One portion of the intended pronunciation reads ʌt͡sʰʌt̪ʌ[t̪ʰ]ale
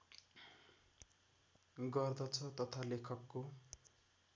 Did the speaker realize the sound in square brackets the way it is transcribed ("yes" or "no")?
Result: yes